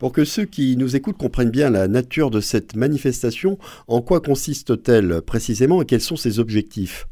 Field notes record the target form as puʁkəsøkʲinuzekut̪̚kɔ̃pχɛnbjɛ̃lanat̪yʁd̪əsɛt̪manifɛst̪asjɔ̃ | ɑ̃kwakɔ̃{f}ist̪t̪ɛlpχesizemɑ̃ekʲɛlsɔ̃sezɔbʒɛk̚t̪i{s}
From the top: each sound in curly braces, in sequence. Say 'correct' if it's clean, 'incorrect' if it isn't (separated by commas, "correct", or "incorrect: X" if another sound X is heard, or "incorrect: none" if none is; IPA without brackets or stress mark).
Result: incorrect: s, incorrect: f